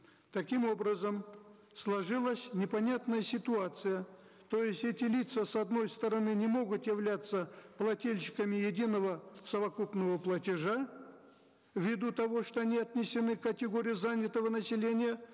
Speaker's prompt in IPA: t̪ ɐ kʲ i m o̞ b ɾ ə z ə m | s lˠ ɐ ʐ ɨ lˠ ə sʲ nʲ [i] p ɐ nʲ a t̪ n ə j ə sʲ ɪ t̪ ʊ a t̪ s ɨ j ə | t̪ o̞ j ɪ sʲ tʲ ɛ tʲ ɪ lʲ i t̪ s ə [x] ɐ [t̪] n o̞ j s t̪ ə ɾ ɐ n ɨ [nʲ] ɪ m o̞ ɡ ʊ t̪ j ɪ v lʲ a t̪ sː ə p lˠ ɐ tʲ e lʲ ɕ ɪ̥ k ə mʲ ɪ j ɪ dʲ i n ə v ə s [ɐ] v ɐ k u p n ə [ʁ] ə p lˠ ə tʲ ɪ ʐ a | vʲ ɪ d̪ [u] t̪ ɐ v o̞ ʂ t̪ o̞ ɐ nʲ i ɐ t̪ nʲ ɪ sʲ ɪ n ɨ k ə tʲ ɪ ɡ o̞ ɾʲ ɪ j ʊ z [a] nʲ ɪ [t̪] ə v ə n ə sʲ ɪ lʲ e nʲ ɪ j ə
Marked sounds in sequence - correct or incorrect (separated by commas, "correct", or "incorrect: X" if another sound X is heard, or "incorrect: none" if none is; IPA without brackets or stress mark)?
incorrect: ɪ, incorrect: s, incorrect: d̪, correct, incorrect: ə, incorrect: v, correct, correct, correct